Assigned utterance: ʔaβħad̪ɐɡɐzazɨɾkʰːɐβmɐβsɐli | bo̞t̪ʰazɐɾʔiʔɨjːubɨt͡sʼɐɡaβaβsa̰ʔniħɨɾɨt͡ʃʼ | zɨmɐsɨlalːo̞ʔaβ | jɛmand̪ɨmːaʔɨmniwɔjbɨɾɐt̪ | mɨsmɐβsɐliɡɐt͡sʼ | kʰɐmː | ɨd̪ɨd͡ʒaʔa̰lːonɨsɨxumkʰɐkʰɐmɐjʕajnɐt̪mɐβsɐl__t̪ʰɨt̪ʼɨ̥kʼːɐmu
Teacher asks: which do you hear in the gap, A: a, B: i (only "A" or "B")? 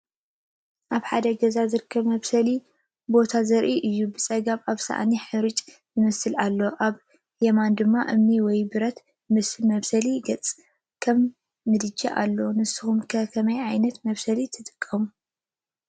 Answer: B